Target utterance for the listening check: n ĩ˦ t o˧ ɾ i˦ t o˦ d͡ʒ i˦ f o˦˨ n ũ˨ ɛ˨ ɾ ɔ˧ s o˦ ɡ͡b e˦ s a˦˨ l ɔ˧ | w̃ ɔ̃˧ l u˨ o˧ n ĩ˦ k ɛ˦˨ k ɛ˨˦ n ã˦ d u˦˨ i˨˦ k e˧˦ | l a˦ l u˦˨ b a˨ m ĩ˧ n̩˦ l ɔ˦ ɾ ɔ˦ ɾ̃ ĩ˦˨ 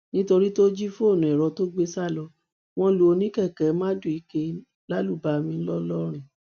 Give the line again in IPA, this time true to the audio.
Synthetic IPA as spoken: n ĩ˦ t o˧ ɾ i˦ t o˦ d͡ʒ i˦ f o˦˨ n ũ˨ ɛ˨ ɾ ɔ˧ t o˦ ɡ͡b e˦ s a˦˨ l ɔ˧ | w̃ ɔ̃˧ l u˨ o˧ n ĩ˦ k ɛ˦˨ k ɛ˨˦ m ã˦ d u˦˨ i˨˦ k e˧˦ | l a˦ l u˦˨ b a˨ m ĩ˧ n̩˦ l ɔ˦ l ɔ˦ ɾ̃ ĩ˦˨

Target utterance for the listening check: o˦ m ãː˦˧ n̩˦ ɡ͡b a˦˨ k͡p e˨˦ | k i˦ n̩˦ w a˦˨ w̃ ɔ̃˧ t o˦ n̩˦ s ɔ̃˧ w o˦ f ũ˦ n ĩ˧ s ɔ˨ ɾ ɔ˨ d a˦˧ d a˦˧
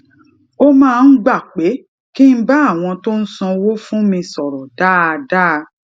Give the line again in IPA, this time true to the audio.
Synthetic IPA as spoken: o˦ m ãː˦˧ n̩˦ ɡ͡b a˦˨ k͡p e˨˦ | k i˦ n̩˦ b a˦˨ w̃ ɔ̃˧ t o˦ n̩˦ s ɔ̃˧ w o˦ f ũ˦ m ĩ˧ s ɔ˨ ɾ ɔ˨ d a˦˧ d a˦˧

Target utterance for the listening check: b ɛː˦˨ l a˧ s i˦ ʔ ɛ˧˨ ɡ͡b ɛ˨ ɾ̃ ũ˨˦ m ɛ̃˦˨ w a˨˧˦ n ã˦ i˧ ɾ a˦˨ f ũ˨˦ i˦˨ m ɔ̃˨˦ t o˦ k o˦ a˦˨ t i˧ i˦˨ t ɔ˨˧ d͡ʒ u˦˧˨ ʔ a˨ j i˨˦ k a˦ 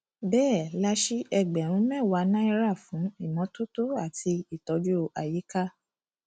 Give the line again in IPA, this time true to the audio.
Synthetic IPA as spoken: b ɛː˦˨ l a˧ ʃ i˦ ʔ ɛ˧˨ ɡ͡b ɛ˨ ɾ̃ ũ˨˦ m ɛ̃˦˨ w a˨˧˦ n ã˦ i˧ ɾ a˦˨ f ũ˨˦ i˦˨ m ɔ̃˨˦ t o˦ t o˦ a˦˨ t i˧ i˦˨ t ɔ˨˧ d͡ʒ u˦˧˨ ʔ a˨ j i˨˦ k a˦

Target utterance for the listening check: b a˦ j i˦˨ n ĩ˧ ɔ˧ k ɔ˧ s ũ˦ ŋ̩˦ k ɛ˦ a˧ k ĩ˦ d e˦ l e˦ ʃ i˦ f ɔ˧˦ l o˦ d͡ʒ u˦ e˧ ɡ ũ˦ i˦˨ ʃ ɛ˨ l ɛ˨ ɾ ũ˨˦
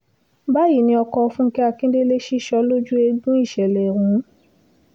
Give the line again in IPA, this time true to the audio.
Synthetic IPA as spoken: b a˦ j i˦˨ n ĩ˧ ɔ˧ k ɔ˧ f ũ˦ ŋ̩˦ k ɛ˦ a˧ k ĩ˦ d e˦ l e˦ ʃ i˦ ʃ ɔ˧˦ l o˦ d͡ʒ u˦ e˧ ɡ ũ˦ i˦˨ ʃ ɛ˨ l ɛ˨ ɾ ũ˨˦

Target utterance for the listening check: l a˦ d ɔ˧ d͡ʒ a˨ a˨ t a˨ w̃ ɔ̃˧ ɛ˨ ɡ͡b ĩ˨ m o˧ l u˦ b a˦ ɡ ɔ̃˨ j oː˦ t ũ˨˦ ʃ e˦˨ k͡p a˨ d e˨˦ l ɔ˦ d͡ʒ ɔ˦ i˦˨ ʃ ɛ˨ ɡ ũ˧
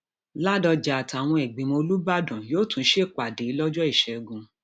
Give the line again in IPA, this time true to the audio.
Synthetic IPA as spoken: l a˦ d ɔ˧ d͡ʒ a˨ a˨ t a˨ w̃ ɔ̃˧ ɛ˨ ɡ͡b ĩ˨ m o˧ l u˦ b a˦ d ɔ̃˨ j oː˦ t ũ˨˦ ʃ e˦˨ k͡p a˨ d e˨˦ l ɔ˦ d͡ʒ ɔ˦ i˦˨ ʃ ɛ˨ ɡ ũ˧

